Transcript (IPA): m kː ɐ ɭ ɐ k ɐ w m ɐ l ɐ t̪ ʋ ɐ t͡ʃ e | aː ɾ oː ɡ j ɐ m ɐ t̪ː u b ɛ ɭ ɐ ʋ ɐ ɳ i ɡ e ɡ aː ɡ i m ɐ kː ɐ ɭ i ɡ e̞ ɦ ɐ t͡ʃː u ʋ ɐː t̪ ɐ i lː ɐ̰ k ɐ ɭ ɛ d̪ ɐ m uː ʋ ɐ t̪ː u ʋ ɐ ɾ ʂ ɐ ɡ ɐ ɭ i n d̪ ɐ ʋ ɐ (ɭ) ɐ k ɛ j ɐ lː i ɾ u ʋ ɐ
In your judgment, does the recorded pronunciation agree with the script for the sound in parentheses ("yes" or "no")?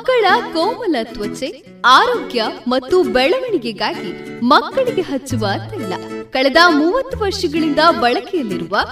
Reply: yes